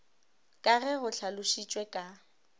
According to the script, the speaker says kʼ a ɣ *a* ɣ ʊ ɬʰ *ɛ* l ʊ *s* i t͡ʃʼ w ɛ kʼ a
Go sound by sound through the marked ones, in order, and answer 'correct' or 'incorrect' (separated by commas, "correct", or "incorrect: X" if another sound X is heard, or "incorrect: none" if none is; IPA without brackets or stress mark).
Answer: incorrect: ɛ, incorrect: a, incorrect: ʃ